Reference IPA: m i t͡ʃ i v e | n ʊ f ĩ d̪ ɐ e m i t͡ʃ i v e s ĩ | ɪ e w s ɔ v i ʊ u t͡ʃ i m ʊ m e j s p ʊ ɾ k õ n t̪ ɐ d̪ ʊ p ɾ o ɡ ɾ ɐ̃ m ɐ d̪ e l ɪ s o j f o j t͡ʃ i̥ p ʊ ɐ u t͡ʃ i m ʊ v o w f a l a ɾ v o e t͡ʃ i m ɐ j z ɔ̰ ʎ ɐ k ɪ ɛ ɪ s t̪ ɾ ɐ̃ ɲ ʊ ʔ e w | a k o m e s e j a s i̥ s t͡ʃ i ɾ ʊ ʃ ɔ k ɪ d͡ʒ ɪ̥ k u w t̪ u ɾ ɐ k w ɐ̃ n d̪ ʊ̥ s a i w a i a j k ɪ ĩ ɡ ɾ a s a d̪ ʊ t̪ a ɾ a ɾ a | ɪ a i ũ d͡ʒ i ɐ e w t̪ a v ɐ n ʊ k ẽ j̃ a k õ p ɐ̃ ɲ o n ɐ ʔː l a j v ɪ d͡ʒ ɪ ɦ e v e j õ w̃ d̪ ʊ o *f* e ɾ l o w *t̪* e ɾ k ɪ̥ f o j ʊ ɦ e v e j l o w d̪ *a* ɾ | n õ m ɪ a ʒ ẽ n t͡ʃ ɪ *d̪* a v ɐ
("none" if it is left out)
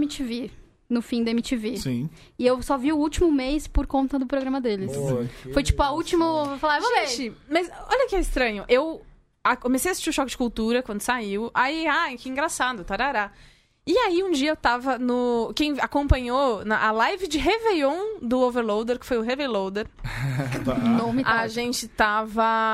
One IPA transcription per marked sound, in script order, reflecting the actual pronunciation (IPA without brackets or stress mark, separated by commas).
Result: v, d̪, e, t̪